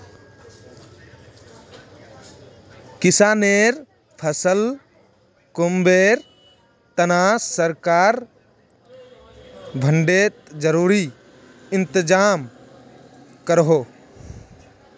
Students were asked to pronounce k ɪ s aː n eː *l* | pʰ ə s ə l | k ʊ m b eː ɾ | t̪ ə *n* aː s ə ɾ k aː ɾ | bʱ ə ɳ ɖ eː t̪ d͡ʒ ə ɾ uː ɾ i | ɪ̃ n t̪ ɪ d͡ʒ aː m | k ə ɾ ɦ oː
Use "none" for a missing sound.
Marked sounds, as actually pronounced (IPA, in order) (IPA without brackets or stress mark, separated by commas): ɾ, n